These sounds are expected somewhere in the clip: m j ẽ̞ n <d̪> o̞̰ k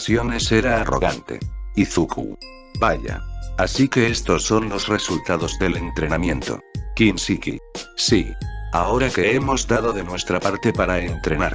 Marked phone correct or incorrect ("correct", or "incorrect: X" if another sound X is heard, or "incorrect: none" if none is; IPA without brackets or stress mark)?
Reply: incorrect: t̪